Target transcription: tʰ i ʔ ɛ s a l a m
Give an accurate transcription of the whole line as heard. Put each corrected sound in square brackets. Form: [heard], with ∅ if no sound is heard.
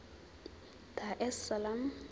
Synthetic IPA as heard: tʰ [a] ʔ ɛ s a l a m

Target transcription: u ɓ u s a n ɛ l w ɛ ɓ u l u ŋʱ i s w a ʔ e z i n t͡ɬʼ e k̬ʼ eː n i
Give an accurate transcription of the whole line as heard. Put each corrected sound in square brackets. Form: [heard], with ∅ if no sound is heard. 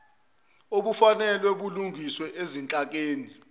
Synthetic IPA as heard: [o] ɓ u [f] a n ɛ l w ɛ ɓ u l u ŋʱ i s w [ɛ] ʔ e z i n t͡ɬʼ [a] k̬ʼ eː n i

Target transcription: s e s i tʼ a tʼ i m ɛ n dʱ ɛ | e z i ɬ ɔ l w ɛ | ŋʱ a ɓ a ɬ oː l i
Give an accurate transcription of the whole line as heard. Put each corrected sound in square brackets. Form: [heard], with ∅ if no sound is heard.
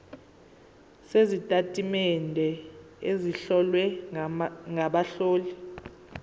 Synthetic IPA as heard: s e [z] i tʼ a tʼ i m ɛ n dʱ ɛ | e z i ɬ ɔ l w ɛ | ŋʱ a ɓ a ɬ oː l i

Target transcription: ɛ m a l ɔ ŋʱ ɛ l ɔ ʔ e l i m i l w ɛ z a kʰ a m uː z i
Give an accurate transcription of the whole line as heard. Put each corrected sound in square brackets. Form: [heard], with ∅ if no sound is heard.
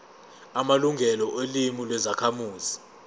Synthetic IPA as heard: [a] m a l [u] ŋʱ ɛ l ɔ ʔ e l i m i l w ɛ z a kʰ a m uː z i

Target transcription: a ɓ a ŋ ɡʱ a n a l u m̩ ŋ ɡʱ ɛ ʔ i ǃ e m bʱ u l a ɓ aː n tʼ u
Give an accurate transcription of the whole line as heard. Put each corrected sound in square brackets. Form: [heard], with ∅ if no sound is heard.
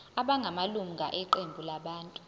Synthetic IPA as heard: a ɓ a ŋ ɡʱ a [m] a l u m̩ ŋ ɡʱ [a] ʔ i ǃ e m bʱ u l a ɓ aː n tʼ u

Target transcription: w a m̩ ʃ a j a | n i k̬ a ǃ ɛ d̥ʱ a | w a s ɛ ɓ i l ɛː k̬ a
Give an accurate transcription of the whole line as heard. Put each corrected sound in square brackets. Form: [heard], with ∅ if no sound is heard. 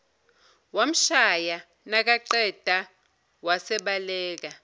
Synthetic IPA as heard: w a m̩ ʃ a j a | n [a] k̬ a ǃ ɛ d̥ʱ a | w a s ɛ ɓ [a] l ɛː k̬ a

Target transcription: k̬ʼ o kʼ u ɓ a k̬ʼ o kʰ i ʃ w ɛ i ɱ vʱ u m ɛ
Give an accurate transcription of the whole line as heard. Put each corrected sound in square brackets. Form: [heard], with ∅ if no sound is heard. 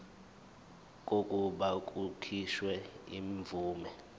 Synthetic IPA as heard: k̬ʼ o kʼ u ɓ a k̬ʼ [u] kʰ i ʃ w ɛ i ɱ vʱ [uː] m ɛ

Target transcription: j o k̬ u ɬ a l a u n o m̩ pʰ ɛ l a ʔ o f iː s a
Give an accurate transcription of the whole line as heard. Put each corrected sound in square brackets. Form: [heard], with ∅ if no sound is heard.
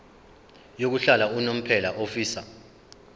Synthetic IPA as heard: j o k̬ u ɬ a l a u n o m̩ pʰ ɛ l a ʔ o f iː s a

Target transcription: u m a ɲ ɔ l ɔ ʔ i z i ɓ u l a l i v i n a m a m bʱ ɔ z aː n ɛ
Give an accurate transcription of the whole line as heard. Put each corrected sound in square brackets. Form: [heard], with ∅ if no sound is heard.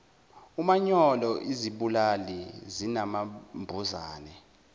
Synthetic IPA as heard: u m a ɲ ɔ l ɔ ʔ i z i ɓ u l a l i [z] i n a m a m bʱ [u] z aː n ɛ

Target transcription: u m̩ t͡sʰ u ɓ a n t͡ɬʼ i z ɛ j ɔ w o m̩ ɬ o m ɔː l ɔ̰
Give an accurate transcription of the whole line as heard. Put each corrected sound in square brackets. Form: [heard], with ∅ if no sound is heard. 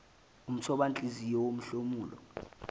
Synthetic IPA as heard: u m̩ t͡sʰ [ɔ] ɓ a n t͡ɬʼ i z [i] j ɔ w o m̩ ɬ o m [uː] l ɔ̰

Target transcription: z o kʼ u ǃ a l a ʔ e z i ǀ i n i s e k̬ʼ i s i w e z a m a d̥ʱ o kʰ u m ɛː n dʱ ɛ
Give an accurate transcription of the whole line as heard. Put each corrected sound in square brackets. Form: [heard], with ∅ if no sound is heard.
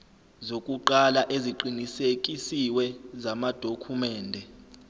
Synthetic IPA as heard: z o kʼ u ǃ a l a ʔ e z i [ǃ] i n i s e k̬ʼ i s i w [ɛ] z a m a d̥ʱ o kʰ u m ɛː n dʱ ɛ

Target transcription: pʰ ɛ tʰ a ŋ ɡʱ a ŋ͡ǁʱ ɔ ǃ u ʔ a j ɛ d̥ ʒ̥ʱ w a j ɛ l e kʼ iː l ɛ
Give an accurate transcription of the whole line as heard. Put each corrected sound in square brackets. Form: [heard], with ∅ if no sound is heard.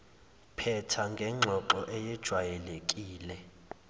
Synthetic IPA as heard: pʰ ɛ tʰ a ŋ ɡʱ [ɛ] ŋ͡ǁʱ ɔ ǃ [ɔ] ʔ [ɛ] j ɛ d̥ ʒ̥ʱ w a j ɛ l e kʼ iː l ɛ

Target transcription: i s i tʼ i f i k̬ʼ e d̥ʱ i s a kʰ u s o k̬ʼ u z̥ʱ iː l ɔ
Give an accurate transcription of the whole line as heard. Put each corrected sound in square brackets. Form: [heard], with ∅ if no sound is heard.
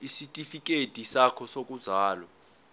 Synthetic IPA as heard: i s i tʼ i f i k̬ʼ e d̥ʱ i s a kʰ [ɔ] s o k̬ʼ u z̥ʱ [aː] l ɔ

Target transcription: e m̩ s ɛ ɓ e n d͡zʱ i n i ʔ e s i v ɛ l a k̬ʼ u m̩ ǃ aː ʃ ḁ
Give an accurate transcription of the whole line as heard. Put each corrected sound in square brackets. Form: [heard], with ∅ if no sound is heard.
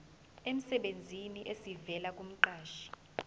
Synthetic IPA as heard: e m̩ s ɛ ɓ e n d͡zʱ i n i ʔ e s i v ɛ l a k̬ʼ u m̩ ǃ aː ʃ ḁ

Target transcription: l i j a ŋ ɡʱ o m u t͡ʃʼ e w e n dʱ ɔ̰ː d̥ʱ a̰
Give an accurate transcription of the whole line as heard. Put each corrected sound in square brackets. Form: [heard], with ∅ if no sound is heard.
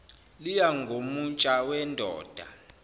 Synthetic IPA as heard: l i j a ŋ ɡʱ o m u t͡ʃʼ [a] w [ɛ] n dʱ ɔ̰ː d̥ʱ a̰

